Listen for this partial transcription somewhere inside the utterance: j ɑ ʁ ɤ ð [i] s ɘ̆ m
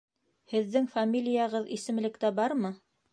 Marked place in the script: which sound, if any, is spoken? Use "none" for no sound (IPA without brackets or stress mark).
i